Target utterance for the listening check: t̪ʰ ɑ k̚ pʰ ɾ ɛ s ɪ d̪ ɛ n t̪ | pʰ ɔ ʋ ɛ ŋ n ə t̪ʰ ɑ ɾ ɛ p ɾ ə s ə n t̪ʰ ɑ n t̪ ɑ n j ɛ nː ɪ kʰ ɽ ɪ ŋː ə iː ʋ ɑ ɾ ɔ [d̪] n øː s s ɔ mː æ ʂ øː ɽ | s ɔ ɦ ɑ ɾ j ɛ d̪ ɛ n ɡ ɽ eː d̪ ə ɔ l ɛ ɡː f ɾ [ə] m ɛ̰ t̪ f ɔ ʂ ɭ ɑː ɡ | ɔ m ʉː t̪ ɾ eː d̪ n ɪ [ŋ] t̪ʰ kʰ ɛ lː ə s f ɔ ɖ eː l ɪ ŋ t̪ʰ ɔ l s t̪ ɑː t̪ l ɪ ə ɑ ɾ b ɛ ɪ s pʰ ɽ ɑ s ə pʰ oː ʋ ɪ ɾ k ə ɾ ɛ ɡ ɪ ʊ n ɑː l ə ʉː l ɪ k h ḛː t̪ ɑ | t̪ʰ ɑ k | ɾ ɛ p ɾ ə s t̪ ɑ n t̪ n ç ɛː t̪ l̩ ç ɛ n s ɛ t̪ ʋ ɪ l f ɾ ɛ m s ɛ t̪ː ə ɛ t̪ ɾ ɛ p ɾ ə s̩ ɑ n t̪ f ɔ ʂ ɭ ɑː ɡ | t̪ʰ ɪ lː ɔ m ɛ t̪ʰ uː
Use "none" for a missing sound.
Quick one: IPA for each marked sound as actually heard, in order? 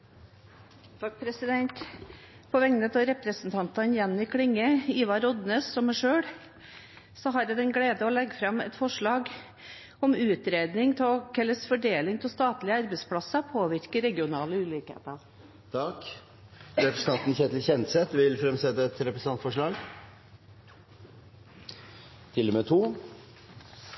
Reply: d̪, ɑ, ŋ

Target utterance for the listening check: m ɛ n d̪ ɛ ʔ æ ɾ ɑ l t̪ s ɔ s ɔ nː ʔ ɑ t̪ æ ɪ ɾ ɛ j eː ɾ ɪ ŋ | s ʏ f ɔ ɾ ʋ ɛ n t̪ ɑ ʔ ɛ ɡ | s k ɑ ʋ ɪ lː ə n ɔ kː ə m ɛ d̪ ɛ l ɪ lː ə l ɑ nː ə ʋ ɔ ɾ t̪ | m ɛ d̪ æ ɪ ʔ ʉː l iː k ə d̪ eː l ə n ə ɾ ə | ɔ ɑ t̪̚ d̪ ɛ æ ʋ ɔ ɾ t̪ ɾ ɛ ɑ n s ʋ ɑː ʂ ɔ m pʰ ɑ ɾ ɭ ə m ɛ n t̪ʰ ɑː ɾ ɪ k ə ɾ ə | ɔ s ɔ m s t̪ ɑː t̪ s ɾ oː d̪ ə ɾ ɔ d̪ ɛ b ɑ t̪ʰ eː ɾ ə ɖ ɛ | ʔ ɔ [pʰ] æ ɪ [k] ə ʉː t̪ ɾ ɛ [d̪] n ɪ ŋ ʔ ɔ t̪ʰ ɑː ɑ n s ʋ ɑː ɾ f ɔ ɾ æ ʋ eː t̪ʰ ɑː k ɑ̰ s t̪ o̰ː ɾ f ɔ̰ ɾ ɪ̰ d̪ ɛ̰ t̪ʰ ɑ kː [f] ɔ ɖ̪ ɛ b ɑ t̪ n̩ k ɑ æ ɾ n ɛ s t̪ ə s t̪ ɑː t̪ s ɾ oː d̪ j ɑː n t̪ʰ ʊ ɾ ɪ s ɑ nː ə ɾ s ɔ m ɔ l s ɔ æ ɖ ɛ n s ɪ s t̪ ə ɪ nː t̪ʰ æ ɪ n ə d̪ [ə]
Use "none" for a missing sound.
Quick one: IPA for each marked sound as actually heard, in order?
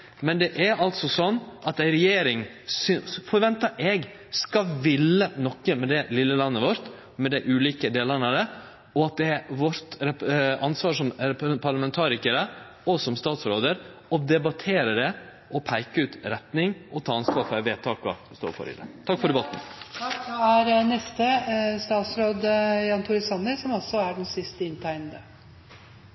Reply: pʰ, k, t̪, f, ə

